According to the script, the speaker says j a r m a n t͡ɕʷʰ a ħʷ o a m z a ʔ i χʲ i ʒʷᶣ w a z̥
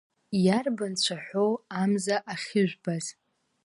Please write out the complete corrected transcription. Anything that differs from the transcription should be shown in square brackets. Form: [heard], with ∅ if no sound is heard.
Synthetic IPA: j a r [b] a n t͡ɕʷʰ a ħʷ o a m z a ʔ [a] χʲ [ɪ] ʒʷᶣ [b] a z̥

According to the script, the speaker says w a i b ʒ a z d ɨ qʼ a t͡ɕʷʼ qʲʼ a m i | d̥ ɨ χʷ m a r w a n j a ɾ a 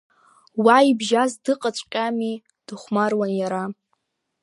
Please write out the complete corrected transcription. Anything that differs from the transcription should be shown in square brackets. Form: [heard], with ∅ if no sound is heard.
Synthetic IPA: w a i b ʒ a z d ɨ qʼ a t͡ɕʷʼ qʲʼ a m i | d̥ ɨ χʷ m a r w a n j a ɾ a

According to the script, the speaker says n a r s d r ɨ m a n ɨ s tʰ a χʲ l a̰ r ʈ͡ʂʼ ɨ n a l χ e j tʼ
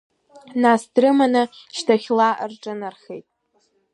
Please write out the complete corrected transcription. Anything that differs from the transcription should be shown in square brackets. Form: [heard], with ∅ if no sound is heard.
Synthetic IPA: n a [∅] s d r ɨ m a n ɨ [ʃ] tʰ a χʲ l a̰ r ʈ͡ʂʼ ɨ n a [r] χ e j tʼ

